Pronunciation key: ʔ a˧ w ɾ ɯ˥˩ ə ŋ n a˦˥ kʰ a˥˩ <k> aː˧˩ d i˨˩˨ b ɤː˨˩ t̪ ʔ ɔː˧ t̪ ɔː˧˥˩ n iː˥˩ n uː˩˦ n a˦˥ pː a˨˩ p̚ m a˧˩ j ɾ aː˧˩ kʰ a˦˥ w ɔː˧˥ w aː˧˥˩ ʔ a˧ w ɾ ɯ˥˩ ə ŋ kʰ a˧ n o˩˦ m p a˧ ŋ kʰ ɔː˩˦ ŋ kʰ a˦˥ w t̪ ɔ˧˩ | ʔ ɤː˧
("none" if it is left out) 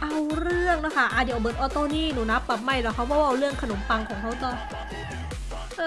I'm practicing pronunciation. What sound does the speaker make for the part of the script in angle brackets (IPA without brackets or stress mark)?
ʔ